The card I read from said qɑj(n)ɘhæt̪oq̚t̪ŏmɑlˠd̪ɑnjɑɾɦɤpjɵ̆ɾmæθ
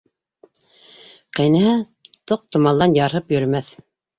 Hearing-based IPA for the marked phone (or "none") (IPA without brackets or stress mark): n